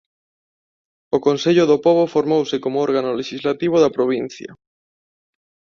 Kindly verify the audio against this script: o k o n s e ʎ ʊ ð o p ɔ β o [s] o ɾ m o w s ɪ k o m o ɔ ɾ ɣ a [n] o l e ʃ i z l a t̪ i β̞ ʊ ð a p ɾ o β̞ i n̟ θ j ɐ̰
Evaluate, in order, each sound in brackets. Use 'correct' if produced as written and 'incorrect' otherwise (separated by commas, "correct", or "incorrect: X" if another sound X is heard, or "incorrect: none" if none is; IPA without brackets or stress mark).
incorrect: f, correct